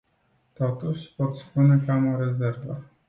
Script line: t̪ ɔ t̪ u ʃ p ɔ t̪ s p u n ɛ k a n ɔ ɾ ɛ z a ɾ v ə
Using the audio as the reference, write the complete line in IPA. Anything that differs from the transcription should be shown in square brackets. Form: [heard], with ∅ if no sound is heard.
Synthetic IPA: t̪ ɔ t̪ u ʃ p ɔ t̪ s p u n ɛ k a [m] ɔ ɾ ɛ z [ɛ] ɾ v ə